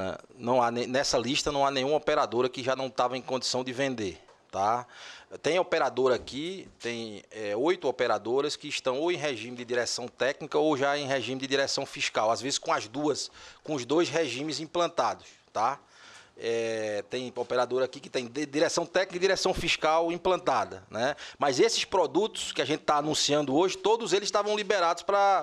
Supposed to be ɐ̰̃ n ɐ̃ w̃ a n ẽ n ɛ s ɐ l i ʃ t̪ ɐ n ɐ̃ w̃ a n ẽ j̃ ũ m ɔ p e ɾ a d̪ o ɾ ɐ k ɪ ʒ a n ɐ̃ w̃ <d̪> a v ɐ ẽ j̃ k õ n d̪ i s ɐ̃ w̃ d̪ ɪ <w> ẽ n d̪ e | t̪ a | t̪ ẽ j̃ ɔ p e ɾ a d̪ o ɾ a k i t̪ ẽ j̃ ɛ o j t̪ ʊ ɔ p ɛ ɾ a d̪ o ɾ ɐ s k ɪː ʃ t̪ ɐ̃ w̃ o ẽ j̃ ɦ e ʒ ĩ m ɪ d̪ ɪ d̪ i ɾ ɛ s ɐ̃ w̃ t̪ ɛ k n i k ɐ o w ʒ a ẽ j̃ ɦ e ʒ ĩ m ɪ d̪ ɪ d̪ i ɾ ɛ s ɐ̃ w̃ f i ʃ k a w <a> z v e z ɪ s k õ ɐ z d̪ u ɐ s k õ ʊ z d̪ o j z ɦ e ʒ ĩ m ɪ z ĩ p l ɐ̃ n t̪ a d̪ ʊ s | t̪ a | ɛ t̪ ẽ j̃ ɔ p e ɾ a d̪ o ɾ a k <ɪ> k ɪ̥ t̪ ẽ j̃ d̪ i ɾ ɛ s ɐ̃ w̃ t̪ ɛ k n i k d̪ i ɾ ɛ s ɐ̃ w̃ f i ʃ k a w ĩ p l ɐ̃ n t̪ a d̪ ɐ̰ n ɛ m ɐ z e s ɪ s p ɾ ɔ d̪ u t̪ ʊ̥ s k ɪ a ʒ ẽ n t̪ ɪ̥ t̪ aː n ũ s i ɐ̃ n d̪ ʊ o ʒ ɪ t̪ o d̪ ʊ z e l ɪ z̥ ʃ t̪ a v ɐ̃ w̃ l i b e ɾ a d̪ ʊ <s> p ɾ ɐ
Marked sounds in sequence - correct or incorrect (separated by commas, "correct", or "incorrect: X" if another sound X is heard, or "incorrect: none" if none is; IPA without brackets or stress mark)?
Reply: incorrect: t̪, incorrect: v, correct, incorrect: i, correct